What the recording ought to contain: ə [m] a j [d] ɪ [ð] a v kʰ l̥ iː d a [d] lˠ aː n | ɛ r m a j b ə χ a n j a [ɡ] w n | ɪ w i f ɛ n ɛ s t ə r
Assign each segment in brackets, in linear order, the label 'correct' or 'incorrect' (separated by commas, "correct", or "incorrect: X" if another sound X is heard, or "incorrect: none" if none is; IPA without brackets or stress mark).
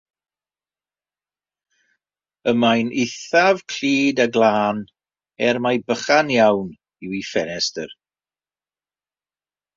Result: correct, incorrect: n, incorrect: θ, incorrect: ɡ, incorrect: none